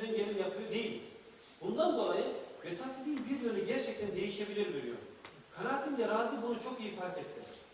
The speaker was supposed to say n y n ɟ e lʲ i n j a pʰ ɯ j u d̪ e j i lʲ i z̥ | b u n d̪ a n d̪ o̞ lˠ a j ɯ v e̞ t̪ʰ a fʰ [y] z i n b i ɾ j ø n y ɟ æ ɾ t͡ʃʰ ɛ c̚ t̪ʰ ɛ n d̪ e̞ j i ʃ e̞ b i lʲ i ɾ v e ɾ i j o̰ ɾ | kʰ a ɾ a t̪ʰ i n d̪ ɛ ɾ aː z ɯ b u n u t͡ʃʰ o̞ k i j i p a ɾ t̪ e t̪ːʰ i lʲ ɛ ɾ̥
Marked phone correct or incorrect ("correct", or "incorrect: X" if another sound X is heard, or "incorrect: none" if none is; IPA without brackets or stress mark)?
incorrect: i